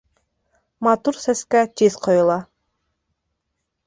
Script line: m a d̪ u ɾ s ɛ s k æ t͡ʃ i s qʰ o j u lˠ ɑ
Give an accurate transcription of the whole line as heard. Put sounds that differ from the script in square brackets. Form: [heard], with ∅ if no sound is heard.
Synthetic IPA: m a [t̪] u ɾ s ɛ s k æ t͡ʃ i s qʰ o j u lˠ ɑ